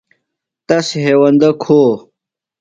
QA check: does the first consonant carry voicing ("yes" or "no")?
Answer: no